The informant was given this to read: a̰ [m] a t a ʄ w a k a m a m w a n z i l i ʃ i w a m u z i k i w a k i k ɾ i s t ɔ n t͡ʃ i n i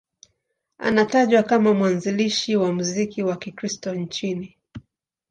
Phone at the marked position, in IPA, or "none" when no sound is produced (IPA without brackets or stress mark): n